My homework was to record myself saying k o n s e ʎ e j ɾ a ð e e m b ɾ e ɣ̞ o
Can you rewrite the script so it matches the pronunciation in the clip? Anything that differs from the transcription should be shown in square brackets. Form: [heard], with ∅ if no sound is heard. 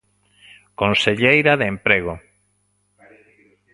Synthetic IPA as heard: k o n s e ʎ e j ɾ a ð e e m [p] ɾ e ɣ̞ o